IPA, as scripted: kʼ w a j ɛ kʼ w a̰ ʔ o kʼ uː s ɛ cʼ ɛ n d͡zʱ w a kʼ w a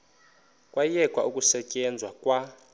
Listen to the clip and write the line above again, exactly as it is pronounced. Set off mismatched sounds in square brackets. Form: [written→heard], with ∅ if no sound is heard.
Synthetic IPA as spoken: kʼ w a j ɛ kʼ w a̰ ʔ [o→u] kʼ [uː→u] s ɛ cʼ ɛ n d͡zʱ w a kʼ w a